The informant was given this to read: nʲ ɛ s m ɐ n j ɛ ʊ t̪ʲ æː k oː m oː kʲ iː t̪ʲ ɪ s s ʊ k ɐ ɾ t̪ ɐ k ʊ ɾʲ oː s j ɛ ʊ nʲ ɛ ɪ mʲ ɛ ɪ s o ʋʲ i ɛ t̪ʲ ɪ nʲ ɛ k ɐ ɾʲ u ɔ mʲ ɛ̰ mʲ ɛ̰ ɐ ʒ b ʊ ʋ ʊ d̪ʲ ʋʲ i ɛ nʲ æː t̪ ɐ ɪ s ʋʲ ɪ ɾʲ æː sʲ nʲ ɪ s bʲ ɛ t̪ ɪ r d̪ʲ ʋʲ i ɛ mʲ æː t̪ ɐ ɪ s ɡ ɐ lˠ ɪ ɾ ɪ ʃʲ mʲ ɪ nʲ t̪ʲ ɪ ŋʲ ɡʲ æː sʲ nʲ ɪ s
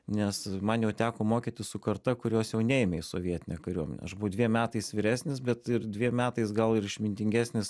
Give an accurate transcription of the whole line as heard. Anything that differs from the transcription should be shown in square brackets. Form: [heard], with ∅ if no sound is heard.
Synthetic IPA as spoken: nʲ ɛ s m ɐ n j ɛ ʊ t̪ʲ æː k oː m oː kʲ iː t̪ʲ ɪ s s ʊ k ɐ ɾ t̪ ɐ k ʊ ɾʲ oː s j ɛ ʊ nʲ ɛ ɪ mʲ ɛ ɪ s o ʋʲ i ɛ t̪ʲ ɪ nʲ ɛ k ɐ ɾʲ u ɔ mʲ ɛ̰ [nʲ] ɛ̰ ɐ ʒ b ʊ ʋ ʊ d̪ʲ ʋʲ i ɛ [mʲ] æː t̪ ɐ ɪ s ʋʲ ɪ ɾʲ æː sʲ nʲ ɪ s bʲ ɛ t̪ ɪ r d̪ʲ ʋʲ i ɛ mʲ æː t̪ ɐ ɪ s ɡ ɐ lˠ ɪ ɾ ɪ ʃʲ mʲ ɪ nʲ t̪ʲ ɪ ŋʲ ɡʲ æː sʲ nʲ ɪ s